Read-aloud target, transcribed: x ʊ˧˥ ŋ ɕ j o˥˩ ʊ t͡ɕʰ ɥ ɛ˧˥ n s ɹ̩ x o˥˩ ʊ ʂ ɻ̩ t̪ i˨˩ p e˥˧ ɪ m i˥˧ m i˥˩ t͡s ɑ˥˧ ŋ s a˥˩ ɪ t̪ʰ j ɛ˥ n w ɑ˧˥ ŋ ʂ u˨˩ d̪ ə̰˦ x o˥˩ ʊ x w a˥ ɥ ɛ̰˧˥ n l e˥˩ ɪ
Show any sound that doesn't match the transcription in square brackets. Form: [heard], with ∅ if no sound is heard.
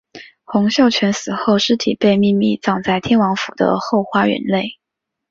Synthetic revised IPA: x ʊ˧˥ ŋ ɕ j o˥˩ ʊ t͡ɕʰ ɥ ɛ˧˥ n s ɹ̩ x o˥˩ ʊ ʂ ɻ̩ [t̪ʰ] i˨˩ p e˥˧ ɪ m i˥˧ m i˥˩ t͡s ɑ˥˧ ŋ [t͡s] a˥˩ ɪ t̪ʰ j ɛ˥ n w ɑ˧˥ ŋ [f] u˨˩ d̪ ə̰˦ x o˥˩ ʊ x w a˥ ɥ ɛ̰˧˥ n l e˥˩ ɪ

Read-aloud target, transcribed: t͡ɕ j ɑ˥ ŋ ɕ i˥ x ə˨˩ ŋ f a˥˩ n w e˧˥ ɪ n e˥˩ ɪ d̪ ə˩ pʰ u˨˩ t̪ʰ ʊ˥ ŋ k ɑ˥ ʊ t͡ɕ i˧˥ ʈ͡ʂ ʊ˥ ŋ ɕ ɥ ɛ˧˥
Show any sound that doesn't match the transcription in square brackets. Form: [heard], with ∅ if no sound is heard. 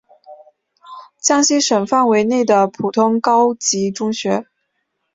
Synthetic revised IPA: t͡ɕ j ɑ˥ ŋ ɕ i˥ [ʂ] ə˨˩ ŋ f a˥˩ n w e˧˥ ɪ n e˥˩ ɪ d̪ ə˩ pʰ u˨˩ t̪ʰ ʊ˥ ŋ k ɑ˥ ʊ t͡ɕ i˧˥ ʈ͡ʂ ʊ˥ ŋ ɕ ɥ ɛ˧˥

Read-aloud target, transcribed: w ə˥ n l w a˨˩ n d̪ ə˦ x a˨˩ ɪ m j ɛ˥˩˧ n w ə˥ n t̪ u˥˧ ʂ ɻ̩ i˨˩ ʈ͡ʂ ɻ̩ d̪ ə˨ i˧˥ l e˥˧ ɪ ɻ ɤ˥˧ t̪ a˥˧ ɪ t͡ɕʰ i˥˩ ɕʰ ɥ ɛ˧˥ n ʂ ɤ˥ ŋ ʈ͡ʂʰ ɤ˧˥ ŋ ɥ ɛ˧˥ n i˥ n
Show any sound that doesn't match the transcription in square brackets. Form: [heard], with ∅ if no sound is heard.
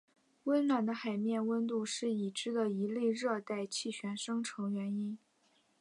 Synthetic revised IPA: w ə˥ n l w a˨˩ n d̪ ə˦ x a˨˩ ɪ m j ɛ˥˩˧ n w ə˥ n t̪ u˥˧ ʂ ɻ̩ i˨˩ ʈ͡ʂ ɻ̩ d̪ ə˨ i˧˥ l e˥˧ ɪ ɻ ɤ˥˧ t̪ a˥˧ ɪ t͡ɕʰ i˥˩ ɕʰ ɥ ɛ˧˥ n ʂ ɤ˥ ŋ ʈ͡ʂʰ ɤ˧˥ ŋ ɥ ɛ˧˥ n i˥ n

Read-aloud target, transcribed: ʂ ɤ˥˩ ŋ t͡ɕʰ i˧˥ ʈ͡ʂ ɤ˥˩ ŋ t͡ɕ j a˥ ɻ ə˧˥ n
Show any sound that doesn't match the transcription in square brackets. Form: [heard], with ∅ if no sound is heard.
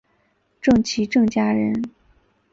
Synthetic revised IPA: [ʈ͡ʂ] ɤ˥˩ ŋ t͡ɕʰ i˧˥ ʈ͡ʂ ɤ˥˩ ŋ t͡ɕ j a˥ ɻ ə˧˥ n

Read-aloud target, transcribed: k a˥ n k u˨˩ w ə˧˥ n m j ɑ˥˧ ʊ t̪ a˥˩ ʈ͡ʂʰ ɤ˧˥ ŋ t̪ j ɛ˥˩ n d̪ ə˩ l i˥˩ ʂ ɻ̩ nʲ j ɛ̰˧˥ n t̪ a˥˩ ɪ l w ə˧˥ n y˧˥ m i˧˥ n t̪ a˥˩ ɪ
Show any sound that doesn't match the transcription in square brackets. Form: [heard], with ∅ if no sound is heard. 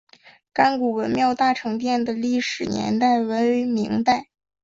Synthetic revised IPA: k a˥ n k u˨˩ w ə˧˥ n m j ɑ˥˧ ʊ t̪ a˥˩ ʈ͡ʂʰ ɤ˧˥ ŋ t̪ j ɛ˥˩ n d̪ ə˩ l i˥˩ ʂ ɻ̩ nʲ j ɛ̰˧˥ n t̪ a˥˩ ɪ [∅] w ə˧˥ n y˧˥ m i˧˥ [ŋ] t̪ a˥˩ ɪ

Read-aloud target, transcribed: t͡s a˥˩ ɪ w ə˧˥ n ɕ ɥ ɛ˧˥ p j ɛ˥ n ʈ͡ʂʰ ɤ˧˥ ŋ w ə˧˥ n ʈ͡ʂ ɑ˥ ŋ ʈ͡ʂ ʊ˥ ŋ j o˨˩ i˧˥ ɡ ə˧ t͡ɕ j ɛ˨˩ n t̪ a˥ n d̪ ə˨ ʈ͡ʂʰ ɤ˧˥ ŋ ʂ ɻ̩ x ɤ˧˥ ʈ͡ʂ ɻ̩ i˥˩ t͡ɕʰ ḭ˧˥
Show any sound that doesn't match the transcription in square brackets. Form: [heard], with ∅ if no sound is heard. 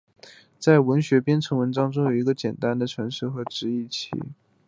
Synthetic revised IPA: t͡s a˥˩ ɪ w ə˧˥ n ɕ ɥ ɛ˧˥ p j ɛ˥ n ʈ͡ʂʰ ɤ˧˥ ŋ w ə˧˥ n ʈ͡ʂ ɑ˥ ŋ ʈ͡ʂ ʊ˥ ŋ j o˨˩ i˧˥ ɡ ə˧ t͡ɕ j ɛ˨˩ n t̪ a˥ n d̪ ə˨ ʈ͡ʂʰ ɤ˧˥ ŋ ʂ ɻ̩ x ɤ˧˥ ʈ͡ʂ ɻ̩ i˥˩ t͡ɕʰ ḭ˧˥

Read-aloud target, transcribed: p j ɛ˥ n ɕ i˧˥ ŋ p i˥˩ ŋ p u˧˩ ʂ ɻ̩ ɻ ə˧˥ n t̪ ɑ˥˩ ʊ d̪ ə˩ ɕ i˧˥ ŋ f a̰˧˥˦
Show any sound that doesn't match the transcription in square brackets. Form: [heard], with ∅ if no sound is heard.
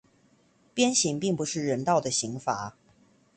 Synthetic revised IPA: p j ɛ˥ n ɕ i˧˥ ŋ p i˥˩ ŋ p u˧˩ ʂ ɻ̩ ɻ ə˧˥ n t̪ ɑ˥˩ ʊ d̪ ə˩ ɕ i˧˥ ŋ f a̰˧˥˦

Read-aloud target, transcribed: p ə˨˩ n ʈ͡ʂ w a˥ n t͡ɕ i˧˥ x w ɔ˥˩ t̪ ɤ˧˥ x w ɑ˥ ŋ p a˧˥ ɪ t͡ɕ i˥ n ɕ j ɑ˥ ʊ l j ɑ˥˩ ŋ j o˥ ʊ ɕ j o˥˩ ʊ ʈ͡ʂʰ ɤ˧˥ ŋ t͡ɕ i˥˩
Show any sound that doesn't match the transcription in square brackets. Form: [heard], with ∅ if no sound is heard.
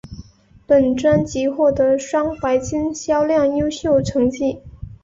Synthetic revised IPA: p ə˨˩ n ʈ͡ʂ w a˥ n t͡ɕ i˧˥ x w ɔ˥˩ t̪ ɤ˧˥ [ʂ] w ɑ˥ ŋ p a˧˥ ɪ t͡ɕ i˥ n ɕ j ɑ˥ ʊ l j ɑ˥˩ ŋ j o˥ ʊ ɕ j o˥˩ ʊ ʈ͡ʂʰ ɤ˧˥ ŋ t͡ɕ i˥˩

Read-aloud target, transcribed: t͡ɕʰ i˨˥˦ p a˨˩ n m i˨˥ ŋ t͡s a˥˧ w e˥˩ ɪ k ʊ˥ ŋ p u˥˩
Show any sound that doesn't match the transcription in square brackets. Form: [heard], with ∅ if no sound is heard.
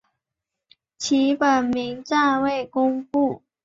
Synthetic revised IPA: t͡ɕʰ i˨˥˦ p [ə˨˩] n m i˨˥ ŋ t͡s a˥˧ w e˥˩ ɪ k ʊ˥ ŋ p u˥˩

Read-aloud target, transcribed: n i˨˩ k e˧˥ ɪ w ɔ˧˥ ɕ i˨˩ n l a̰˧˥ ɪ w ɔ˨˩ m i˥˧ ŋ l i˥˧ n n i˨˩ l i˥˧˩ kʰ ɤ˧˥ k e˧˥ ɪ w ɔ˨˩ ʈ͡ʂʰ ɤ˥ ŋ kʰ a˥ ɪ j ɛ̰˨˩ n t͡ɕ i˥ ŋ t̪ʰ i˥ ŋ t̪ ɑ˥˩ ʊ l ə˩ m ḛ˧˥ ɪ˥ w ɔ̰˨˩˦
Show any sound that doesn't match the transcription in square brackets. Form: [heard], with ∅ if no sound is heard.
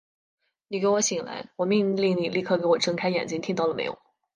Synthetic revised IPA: n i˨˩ k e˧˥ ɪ w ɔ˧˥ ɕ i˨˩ [ŋ] l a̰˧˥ ɪ w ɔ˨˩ m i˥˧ ŋ l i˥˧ [ŋ] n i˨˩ l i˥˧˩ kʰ [ɤ˥˩] k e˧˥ ɪ w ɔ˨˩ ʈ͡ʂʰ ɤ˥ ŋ kʰ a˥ ɪ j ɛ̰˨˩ n t͡ɕ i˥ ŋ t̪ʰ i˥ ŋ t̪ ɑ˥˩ ʊ l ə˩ m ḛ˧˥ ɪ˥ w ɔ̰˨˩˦

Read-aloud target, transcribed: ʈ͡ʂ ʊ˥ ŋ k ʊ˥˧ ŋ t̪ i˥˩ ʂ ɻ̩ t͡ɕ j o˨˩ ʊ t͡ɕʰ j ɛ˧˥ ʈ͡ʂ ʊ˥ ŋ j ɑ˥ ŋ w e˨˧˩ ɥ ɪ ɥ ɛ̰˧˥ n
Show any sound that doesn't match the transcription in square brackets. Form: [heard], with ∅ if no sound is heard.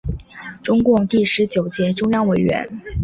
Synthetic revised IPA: ʈ͡ʂ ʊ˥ ŋ k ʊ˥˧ ŋ t̪ i˥˩ ʂ ɻ̩ t͡ɕ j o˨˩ ʊ [t͡ɕ] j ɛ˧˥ ʈ͡ʂ ʊ˥ ŋ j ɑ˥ ŋ w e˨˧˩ [∅] ɪ ɥ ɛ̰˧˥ n

